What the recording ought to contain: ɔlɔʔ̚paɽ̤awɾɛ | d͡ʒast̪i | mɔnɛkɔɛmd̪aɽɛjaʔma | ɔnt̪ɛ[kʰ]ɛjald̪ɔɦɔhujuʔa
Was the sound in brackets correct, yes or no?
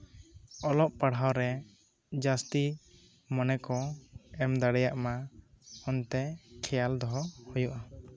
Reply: yes